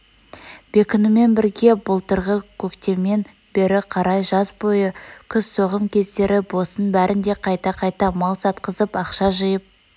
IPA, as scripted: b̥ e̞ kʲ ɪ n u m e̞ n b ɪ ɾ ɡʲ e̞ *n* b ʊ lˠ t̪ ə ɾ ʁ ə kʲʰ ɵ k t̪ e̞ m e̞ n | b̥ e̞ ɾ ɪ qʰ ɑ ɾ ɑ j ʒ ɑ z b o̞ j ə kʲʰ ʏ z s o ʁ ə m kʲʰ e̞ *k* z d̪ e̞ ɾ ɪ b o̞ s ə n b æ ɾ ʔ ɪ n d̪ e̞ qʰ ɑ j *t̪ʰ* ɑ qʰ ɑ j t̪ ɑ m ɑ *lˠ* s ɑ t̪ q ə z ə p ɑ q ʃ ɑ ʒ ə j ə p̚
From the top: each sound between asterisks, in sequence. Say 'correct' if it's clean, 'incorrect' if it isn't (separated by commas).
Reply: incorrect, incorrect, incorrect, correct